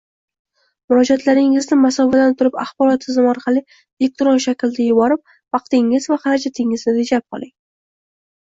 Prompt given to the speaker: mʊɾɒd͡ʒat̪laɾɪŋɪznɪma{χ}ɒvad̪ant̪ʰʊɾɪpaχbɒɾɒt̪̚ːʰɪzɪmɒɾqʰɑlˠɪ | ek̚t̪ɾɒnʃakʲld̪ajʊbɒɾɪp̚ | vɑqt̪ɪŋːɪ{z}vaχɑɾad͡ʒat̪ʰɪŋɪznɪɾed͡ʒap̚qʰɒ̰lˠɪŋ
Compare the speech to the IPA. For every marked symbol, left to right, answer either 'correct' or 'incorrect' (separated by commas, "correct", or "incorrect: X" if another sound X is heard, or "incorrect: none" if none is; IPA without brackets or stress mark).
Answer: incorrect: s, correct